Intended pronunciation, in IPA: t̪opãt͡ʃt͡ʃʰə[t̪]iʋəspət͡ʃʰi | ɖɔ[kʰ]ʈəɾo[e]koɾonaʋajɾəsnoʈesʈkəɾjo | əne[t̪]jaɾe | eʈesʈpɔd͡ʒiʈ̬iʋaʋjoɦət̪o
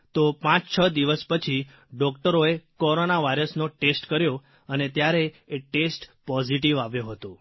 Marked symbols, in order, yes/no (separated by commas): no, no, yes, yes